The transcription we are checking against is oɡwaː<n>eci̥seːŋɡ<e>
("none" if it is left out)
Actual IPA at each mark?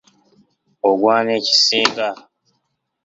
n, a

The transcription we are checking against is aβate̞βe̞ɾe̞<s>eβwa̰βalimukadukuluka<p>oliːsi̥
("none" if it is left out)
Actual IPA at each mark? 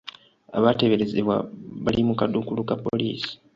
z, p

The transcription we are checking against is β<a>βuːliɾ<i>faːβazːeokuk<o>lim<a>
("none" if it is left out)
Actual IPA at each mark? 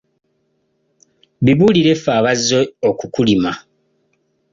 i, e, u, a

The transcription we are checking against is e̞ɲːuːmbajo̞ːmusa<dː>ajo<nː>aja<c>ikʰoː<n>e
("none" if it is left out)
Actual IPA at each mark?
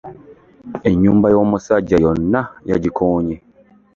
ɟː, nː, ɟ, ɲ

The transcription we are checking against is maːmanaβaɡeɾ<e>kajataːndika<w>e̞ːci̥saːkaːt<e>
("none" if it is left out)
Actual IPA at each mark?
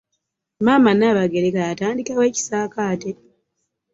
e, w, e

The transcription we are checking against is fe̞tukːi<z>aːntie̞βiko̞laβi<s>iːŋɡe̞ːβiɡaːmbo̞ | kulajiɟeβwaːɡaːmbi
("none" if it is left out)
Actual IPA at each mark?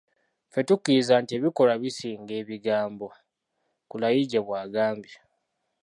z, s

